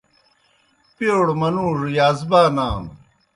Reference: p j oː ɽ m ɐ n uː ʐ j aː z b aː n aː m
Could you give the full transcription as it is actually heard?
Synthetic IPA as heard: p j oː ɽ m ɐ n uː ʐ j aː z b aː n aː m